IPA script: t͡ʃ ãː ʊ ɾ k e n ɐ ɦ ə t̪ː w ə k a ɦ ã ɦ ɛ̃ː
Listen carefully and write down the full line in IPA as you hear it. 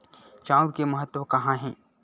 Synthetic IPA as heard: t͡ʃ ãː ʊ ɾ k e m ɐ ɦ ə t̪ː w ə k ɐ ɦ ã ɦ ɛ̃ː